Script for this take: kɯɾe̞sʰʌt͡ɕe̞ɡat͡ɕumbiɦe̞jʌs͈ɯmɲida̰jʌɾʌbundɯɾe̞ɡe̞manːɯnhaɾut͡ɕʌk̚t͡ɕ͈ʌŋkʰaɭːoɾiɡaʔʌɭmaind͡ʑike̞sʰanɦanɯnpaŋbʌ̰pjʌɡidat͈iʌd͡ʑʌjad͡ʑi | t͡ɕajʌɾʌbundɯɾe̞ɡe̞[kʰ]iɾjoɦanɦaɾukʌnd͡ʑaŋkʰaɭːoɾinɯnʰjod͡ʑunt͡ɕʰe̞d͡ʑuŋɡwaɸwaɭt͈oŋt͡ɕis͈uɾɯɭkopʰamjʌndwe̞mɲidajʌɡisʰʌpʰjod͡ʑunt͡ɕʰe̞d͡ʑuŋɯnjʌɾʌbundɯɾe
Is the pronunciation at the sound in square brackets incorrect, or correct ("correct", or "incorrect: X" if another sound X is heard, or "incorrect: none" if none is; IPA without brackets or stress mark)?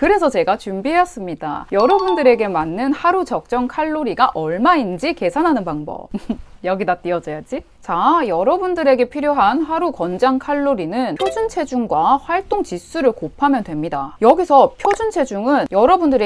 incorrect: pʰ